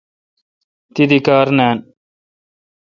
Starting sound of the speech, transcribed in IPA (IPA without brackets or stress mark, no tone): t̪